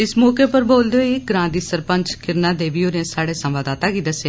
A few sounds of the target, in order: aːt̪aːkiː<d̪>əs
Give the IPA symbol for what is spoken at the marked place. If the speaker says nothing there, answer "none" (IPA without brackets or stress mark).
d̪